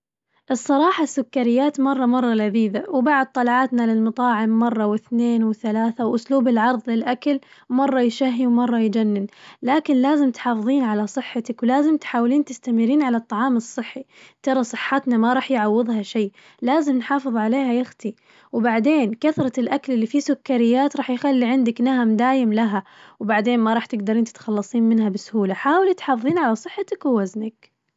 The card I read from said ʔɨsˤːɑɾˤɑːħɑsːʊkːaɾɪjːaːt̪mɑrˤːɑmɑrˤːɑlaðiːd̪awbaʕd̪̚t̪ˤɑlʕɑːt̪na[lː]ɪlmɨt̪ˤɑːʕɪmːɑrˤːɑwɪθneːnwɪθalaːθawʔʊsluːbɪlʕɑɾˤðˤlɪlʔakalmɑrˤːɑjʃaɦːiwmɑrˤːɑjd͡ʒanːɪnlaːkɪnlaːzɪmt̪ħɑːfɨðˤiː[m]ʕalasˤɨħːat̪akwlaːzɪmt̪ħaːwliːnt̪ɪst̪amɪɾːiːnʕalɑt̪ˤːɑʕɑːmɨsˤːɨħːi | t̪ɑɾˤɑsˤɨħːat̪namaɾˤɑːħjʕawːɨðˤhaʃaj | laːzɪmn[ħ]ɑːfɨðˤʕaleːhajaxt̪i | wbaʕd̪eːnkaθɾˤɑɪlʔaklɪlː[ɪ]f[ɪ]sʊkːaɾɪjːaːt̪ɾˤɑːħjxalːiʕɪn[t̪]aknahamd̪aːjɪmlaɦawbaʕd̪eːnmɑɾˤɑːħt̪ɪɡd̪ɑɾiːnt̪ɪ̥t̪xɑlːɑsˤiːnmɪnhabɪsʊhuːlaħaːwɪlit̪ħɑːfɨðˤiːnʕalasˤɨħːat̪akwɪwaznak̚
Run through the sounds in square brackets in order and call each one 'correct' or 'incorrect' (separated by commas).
incorrect, incorrect, correct, incorrect, incorrect, incorrect